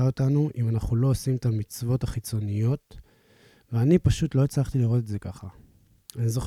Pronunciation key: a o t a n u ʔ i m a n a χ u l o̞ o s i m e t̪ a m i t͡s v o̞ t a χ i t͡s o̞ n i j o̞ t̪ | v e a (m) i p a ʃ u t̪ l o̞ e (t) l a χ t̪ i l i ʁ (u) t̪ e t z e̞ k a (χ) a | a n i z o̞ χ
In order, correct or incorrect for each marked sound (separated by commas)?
incorrect, incorrect, incorrect, correct